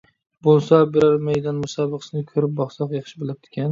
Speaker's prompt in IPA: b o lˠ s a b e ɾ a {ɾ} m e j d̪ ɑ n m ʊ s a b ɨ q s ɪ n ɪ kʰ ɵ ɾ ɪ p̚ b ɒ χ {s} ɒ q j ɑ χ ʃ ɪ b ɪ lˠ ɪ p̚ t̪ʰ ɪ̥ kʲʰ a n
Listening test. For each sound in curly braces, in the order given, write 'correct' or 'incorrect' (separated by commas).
correct, correct